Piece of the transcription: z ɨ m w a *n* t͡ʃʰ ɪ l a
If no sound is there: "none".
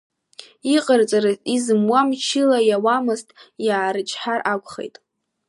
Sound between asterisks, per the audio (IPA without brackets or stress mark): m